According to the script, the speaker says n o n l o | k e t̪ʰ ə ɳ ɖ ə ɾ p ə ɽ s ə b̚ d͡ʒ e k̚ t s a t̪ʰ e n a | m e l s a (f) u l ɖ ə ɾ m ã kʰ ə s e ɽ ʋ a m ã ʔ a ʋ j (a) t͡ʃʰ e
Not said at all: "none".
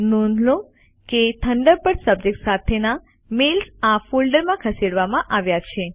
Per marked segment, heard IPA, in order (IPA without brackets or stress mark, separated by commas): f, a